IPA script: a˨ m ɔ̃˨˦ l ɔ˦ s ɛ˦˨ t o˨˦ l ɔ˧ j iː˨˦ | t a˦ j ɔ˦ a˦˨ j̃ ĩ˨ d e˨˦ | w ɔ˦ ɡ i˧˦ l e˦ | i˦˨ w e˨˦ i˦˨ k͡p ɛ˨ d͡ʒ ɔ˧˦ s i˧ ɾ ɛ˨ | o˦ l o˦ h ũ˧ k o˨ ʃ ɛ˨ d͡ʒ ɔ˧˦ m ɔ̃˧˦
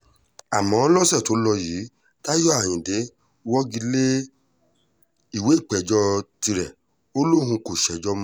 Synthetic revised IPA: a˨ m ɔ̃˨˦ l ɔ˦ s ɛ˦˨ t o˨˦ l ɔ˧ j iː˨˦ | t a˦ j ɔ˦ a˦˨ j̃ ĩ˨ d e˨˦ | w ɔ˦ ɡ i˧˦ l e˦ | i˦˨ w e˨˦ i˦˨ k͡p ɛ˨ d͡ʒ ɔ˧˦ t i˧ ɾ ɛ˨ | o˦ l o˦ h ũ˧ k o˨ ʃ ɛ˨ d͡ʒ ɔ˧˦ m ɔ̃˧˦